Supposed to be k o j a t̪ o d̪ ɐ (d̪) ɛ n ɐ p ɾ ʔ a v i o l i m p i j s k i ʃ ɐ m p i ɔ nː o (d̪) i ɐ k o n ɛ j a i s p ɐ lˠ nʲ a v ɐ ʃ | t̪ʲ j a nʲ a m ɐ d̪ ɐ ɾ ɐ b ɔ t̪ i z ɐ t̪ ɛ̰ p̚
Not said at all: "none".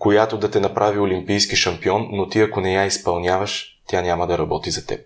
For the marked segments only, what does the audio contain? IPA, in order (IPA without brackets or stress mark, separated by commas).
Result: t̪, t̪